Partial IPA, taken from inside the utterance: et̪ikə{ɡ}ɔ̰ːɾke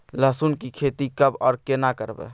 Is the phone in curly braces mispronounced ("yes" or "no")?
yes